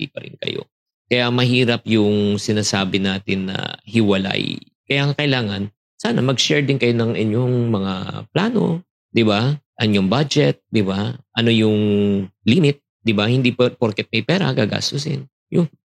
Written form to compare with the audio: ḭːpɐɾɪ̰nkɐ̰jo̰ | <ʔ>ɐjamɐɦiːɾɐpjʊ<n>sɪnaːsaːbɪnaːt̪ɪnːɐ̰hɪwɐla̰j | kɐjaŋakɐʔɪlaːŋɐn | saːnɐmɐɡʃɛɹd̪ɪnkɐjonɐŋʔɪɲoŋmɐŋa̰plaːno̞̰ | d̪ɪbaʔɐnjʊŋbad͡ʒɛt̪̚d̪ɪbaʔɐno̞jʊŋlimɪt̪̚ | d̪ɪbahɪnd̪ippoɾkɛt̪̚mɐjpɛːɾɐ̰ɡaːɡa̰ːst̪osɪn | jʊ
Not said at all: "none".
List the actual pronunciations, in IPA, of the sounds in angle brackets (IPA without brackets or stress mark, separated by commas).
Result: k, ŋ